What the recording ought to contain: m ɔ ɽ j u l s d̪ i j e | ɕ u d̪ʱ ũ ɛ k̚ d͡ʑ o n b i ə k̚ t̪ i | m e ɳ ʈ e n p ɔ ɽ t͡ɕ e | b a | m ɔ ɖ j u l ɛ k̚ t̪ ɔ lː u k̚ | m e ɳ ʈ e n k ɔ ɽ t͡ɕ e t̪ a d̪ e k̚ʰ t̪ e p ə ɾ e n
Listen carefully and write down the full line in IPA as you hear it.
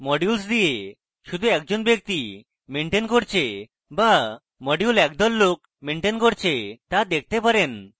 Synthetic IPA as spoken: m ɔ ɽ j u l s d̪ i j e | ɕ u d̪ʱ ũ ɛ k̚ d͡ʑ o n b j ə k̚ t̪ i | m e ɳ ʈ e n k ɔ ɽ t͡ɕ e | b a | m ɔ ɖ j u l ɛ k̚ d̪ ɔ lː o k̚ | m e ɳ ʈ e n k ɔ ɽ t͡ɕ e t̪ a d̪ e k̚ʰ t̪ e p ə ɾ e n